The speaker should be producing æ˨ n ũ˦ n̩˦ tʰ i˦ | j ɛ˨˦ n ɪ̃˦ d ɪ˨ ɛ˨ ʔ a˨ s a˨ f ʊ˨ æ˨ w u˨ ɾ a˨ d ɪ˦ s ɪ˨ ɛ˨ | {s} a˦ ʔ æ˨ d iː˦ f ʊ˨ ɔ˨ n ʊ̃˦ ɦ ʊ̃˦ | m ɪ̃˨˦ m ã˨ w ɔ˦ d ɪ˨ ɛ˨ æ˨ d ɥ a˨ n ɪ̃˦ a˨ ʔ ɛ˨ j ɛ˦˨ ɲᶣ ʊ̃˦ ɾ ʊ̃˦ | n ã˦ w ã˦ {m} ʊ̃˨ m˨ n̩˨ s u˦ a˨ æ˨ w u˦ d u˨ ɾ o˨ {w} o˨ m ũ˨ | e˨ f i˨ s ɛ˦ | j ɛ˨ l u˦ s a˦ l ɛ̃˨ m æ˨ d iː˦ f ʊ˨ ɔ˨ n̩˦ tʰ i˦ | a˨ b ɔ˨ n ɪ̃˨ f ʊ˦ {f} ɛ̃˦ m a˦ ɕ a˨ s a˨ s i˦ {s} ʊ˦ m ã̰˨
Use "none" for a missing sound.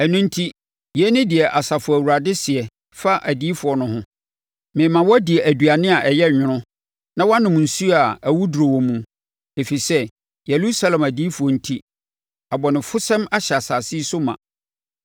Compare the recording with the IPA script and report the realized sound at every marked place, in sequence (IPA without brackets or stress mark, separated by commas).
f, n, w, s, s